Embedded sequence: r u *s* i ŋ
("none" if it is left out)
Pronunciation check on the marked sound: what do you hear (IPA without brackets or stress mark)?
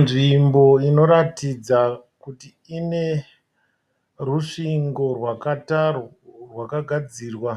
ʂ